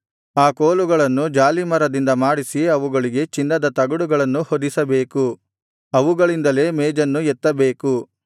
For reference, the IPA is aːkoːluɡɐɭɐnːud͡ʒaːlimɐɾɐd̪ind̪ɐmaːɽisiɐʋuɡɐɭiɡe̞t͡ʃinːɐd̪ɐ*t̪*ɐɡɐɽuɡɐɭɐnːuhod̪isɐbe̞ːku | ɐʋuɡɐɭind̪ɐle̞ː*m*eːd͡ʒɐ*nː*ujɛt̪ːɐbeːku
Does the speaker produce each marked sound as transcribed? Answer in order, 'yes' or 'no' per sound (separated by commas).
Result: yes, yes, yes